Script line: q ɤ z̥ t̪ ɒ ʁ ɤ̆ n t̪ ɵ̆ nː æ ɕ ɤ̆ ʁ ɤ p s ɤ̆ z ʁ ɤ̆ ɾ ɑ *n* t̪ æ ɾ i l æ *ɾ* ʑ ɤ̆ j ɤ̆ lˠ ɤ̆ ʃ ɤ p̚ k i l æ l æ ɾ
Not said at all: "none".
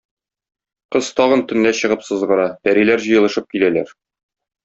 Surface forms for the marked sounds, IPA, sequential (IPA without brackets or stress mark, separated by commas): none, ɾ